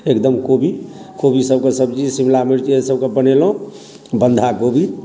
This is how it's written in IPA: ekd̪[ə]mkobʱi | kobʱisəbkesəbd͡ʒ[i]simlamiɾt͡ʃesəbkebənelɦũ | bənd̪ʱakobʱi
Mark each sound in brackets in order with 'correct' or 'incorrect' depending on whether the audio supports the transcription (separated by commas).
correct, correct